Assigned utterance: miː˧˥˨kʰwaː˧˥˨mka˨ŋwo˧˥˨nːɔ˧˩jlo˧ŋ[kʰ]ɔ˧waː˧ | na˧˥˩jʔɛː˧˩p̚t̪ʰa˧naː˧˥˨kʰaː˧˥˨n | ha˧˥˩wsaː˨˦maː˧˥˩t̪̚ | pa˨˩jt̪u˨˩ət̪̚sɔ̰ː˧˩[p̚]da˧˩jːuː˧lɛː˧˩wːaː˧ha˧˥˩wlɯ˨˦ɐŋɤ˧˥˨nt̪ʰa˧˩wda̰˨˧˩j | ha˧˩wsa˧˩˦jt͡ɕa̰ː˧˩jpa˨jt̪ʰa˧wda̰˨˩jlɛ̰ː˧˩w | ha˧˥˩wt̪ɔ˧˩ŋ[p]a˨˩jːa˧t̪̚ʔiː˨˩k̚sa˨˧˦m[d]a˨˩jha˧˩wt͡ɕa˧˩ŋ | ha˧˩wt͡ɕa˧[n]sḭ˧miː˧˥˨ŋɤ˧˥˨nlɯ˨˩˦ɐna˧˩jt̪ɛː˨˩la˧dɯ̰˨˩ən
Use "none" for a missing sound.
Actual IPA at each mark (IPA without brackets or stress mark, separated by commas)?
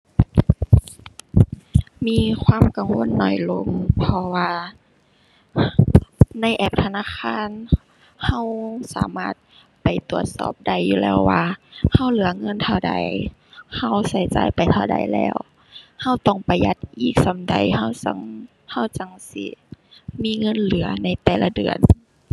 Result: pʰ, p̚, p, d, ŋ